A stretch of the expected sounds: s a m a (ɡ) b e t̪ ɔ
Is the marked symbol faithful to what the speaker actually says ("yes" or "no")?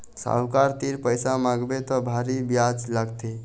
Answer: yes